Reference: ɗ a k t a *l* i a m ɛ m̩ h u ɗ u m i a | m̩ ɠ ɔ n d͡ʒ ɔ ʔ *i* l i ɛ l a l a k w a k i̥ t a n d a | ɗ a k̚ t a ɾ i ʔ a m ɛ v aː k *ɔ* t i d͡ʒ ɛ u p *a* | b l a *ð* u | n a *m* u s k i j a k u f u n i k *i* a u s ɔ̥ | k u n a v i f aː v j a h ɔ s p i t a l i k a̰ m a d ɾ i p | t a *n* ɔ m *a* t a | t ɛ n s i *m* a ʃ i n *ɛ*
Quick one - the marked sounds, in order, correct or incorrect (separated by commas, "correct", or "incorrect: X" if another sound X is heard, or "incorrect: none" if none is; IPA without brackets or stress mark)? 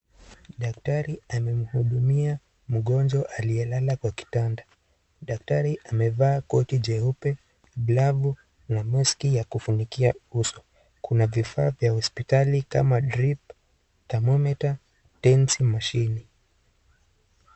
incorrect: ɾ, incorrect: a, correct, incorrect: ɛ, incorrect: v, correct, correct, incorrect: m, incorrect: ɛ, correct, incorrect: i